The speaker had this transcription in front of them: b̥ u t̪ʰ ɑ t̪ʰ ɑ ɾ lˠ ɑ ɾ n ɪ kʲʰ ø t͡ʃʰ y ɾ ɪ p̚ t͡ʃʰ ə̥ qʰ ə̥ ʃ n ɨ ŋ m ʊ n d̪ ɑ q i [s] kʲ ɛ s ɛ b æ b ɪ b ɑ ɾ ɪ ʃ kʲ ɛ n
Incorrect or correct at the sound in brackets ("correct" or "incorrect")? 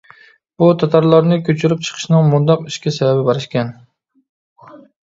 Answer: incorrect